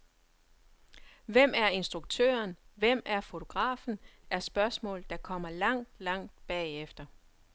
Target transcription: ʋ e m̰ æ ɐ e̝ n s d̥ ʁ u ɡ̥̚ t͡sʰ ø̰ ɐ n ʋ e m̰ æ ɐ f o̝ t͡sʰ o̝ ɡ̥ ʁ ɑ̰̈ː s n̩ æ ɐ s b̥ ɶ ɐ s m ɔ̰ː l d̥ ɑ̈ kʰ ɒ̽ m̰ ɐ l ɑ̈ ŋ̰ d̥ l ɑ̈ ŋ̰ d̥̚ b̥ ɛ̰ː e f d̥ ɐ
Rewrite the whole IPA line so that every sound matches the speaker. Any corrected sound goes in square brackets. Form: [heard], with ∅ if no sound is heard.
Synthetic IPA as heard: ʋ e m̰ æ ɐ e̝ n s d̥ ʁ u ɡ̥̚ t͡sʰ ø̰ ɐ n ʋ e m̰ æ ɐ f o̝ t͡sʰ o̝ ɡ̥ ʁ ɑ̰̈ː [f] n̩ æ ɐ s b̥ ɶ ɐ s m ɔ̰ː l d̥ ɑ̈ kʰ ɒ̽ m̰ ɐ l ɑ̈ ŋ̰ d̥ l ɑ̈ ŋ̰ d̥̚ b̥ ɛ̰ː e f d̥ ɐ